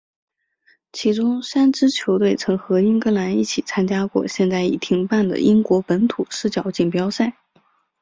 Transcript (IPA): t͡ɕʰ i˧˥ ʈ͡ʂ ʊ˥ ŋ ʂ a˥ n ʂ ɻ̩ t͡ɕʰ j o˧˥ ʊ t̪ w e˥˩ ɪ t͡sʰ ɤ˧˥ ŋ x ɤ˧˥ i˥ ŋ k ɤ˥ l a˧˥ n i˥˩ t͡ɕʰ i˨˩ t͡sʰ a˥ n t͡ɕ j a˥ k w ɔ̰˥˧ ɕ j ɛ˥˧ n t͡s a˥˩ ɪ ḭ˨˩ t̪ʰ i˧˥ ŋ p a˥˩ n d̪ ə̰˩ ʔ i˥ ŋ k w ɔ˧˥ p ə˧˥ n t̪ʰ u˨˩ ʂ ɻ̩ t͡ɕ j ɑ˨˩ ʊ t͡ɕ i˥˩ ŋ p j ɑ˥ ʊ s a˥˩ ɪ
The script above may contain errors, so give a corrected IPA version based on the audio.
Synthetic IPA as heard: t͡ɕʰ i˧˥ ʈ͡ʂ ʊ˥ ŋ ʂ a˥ n ʈ͡ʂ ɻ̩ t͡ɕʰ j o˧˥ ʊ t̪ w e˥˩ ɪ t͡sʰ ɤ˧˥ ŋ x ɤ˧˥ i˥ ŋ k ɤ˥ l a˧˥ n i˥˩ t͡ɕʰ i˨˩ t͡sʰ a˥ n t͡ɕ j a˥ k w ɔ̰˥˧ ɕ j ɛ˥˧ n t͡s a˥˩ ɪ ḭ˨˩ t̪ʰ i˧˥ ŋ p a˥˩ n d̪ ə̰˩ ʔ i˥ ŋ k w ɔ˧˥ p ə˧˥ n t̪ʰ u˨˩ ʂ ɻ̩ t͡ɕ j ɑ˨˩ ʊ t͡ɕ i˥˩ ŋ p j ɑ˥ ʊ s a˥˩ ɪ